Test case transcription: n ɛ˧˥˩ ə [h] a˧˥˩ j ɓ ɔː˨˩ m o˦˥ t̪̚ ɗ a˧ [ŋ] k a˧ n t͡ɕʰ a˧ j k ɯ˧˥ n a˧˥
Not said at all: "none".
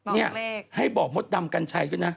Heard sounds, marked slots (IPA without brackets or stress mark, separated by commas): h, m